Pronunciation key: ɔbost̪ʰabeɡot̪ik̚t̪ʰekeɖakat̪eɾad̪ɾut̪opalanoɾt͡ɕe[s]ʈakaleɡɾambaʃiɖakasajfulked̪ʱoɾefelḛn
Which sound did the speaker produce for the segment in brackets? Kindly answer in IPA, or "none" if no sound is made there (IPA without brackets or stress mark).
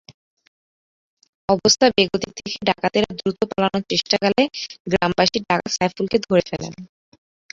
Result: ʃ